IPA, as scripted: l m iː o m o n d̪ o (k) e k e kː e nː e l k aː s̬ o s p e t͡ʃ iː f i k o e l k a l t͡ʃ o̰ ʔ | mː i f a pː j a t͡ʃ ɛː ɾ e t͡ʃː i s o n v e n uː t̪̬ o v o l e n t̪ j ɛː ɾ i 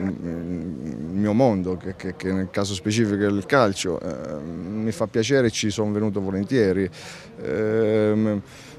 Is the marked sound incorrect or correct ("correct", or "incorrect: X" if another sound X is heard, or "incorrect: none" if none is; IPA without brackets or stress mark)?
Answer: correct